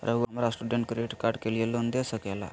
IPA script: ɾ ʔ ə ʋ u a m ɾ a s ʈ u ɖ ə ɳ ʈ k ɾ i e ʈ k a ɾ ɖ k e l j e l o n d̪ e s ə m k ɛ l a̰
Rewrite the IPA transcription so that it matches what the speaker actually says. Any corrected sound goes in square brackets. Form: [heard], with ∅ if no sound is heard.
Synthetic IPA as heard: ɾ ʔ ə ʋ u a m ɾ a s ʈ u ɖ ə ɳ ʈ k ɾ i e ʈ k a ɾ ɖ k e l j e l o n d̪ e s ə [∅] k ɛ l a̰